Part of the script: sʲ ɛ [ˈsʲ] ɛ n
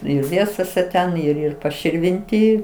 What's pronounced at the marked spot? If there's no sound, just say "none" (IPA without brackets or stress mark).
tʲ